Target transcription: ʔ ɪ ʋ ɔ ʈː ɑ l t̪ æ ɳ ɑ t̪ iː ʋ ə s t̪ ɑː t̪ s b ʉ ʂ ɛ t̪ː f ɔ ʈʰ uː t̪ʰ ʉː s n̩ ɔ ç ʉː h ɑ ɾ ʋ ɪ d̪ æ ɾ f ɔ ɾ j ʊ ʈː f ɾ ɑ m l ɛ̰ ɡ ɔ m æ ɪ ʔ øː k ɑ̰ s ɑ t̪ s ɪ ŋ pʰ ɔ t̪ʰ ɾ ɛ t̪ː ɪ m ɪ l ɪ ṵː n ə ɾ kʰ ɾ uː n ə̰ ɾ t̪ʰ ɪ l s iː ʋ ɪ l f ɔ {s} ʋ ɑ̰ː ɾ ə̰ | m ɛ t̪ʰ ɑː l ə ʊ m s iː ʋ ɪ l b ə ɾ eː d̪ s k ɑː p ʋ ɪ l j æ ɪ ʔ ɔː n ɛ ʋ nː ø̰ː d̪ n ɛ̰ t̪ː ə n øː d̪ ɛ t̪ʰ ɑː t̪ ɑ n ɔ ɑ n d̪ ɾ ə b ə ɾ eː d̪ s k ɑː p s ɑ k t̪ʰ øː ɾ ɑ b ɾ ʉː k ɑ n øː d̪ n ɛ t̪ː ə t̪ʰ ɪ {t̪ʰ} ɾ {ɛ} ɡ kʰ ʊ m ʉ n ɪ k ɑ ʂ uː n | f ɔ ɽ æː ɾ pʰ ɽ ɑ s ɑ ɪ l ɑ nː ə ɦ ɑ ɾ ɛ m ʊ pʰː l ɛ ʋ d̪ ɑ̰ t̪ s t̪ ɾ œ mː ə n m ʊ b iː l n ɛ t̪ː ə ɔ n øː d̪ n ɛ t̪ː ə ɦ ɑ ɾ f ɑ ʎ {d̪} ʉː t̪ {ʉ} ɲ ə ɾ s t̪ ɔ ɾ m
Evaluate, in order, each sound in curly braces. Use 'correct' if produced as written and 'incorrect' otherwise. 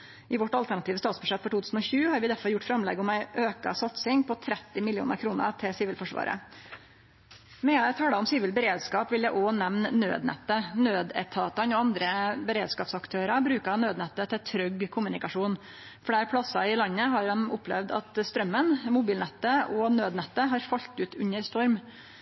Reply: incorrect, correct, incorrect, incorrect, correct

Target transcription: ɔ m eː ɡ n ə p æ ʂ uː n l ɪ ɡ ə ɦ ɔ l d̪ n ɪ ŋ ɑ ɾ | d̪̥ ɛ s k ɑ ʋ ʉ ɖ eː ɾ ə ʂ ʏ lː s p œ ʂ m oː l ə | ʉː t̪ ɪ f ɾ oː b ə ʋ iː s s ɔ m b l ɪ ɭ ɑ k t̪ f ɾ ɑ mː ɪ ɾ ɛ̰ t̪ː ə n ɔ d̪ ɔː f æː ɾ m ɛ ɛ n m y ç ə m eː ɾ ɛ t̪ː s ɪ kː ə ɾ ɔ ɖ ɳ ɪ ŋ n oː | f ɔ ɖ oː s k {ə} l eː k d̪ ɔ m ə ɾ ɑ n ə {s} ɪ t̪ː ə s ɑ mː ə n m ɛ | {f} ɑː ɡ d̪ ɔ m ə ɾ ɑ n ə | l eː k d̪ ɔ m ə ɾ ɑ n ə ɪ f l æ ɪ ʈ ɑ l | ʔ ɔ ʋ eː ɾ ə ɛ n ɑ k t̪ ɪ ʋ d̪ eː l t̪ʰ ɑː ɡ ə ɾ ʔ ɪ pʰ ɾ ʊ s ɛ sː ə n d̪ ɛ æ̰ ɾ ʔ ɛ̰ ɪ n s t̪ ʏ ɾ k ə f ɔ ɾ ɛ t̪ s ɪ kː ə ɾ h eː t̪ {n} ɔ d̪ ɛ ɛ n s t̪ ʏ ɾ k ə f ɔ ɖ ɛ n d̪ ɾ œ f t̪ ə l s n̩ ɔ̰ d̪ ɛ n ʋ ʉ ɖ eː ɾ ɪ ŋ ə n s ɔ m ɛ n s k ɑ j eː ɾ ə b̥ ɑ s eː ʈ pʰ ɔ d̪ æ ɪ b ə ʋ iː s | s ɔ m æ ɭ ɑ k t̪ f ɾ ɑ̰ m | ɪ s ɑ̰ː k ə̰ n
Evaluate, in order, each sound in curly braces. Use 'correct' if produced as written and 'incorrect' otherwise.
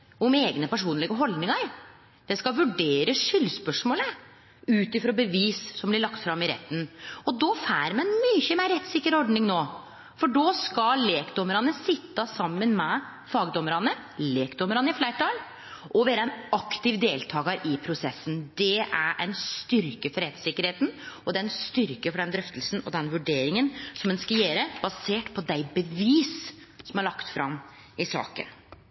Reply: incorrect, correct, correct, correct

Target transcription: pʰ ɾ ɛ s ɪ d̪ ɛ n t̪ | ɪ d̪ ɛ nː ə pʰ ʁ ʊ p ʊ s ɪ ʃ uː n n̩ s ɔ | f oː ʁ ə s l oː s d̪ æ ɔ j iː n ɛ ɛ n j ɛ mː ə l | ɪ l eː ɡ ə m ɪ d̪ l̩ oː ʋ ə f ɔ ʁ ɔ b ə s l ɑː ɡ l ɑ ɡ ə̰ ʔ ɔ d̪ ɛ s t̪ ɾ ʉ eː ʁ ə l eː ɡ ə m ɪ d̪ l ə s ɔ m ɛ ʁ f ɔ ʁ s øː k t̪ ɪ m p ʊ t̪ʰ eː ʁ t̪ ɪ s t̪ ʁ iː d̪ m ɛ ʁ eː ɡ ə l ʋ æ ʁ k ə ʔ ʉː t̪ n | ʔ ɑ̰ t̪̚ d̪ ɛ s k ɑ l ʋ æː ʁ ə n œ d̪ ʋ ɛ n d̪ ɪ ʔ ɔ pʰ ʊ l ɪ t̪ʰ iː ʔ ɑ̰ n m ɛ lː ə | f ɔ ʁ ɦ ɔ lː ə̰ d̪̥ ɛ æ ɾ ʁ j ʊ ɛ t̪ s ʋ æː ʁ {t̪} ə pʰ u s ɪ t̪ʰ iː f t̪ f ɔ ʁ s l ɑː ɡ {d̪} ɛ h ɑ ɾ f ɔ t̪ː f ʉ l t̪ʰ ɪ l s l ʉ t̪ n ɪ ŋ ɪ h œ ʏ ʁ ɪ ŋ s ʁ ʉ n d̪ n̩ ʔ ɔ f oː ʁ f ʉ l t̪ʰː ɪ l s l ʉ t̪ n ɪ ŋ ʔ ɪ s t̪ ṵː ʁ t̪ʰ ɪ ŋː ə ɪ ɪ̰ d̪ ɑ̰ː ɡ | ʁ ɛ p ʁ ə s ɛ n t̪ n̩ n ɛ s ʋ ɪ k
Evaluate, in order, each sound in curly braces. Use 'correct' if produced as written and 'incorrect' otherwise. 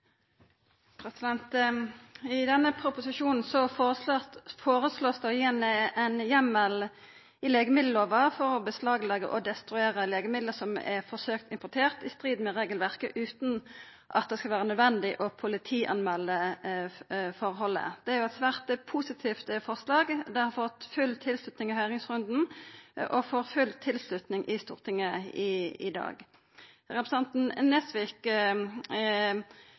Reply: correct, correct

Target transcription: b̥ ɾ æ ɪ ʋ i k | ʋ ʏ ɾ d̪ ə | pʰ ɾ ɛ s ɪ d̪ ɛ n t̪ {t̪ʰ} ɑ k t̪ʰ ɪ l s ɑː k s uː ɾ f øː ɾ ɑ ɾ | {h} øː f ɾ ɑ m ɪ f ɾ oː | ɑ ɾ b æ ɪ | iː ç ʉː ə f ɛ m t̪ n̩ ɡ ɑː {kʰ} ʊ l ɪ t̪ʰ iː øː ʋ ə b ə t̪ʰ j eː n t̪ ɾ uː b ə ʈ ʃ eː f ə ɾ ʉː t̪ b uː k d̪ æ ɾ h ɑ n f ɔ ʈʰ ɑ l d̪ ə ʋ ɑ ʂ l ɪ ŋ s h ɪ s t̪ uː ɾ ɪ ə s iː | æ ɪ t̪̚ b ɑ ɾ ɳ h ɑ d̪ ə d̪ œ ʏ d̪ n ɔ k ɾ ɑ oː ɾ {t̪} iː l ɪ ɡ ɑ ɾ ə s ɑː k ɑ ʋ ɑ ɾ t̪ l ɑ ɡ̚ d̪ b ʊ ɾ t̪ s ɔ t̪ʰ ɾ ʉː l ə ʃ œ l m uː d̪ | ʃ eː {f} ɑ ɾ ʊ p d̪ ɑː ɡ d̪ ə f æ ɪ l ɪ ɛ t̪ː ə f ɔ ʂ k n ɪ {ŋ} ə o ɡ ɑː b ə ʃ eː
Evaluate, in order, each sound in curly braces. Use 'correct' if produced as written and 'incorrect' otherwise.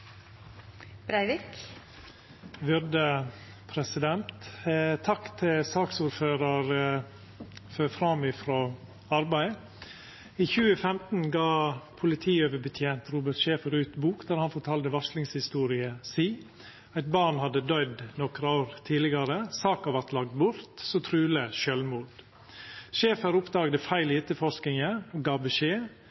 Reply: correct, incorrect, incorrect, incorrect, correct, correct

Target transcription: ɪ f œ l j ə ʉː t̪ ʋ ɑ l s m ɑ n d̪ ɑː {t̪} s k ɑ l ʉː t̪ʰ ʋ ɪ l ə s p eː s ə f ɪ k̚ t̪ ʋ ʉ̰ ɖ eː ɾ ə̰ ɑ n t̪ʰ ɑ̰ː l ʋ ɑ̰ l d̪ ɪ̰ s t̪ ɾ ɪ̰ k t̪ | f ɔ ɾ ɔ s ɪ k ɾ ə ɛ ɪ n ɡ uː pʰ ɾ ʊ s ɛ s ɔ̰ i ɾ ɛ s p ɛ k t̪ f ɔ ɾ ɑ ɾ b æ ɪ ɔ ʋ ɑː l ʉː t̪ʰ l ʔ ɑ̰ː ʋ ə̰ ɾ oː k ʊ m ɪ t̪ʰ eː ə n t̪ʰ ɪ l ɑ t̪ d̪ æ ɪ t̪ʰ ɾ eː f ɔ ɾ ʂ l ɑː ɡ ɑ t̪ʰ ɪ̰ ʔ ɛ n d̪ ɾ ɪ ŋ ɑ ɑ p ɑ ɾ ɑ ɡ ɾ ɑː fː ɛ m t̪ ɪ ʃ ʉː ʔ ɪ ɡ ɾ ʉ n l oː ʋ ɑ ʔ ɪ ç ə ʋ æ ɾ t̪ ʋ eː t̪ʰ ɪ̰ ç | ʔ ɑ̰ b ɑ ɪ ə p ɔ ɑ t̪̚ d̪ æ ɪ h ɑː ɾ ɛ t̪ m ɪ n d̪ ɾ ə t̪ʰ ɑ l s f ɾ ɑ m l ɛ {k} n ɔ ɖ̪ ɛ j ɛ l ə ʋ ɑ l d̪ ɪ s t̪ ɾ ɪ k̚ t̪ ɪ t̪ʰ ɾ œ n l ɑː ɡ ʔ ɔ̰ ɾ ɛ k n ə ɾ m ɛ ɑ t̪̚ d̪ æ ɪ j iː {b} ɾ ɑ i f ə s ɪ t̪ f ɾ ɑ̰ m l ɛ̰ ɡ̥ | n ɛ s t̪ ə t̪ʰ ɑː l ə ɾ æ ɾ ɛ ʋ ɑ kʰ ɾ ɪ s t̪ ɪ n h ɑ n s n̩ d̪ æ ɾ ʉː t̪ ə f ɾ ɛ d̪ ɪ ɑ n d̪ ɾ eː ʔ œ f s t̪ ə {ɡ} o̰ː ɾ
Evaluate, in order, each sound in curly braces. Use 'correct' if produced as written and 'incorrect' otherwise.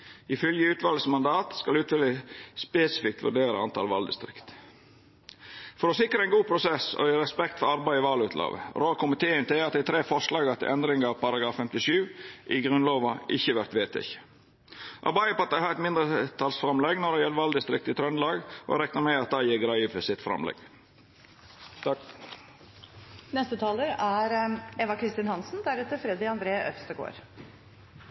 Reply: correct, incorrect, incorrect, correct

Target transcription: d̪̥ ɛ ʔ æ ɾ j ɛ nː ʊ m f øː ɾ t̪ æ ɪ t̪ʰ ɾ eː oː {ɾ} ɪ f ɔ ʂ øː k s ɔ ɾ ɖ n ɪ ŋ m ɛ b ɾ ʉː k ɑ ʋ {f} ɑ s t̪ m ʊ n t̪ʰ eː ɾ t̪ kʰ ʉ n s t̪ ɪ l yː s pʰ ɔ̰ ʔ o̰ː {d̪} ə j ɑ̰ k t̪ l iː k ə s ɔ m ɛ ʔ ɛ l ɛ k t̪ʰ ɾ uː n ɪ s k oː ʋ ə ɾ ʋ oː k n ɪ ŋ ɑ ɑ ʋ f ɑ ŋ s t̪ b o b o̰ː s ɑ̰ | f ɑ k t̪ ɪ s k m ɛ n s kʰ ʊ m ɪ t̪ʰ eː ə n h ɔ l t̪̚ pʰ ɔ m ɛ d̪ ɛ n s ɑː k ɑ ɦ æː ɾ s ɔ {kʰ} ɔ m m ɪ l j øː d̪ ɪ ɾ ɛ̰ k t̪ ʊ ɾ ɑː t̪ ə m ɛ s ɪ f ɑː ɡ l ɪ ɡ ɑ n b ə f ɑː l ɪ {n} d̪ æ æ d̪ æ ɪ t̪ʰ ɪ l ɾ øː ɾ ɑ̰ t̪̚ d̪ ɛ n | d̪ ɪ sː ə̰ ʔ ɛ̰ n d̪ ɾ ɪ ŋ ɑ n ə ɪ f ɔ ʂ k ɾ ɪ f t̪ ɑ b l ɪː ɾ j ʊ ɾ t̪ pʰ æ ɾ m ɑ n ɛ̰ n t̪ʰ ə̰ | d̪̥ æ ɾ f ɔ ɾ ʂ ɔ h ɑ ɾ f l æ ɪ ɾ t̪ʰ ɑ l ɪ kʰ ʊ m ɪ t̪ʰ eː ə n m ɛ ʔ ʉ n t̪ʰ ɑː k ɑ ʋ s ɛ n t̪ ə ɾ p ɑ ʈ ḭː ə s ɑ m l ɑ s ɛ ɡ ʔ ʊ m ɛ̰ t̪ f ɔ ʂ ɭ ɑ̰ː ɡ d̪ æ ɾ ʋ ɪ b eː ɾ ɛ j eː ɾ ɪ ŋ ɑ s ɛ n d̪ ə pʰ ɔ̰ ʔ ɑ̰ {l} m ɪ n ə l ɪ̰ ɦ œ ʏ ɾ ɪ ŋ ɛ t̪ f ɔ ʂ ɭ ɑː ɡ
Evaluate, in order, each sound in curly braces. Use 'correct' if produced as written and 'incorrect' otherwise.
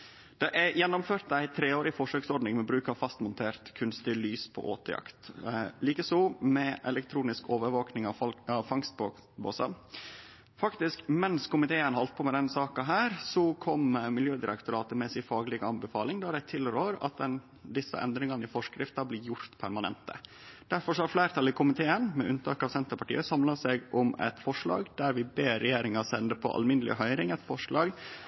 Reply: correct, correct, incorrect, correct, incorrect, correct

